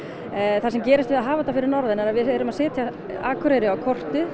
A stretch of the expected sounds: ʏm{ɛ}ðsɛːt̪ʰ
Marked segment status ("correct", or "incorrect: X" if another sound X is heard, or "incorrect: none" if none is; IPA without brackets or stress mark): incorrect: a